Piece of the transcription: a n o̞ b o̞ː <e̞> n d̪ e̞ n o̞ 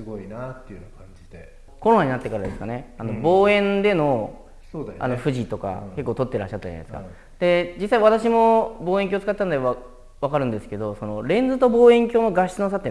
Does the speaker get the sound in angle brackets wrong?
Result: yes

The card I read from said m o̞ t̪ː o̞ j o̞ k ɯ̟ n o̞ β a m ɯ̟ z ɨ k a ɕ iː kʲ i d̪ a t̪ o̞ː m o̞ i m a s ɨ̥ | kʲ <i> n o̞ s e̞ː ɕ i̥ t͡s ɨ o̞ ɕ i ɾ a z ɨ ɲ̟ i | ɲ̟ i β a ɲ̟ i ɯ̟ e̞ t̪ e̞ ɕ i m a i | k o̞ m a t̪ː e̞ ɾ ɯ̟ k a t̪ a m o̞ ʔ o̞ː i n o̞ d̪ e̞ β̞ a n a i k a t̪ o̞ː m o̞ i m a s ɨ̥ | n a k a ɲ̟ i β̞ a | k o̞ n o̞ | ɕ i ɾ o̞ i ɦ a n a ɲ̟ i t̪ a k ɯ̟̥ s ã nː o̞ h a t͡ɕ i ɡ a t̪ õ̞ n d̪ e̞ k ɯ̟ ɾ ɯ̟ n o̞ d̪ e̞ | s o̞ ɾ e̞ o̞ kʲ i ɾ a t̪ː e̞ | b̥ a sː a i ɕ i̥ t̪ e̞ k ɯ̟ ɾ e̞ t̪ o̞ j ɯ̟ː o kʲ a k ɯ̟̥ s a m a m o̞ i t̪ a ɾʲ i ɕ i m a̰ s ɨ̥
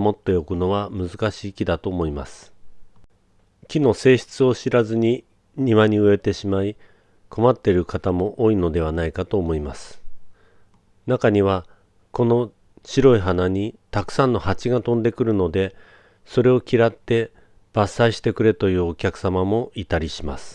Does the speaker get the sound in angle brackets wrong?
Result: no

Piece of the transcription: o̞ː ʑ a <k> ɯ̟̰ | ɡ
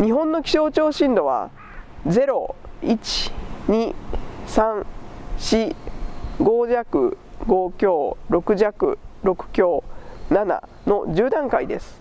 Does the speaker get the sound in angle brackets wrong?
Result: no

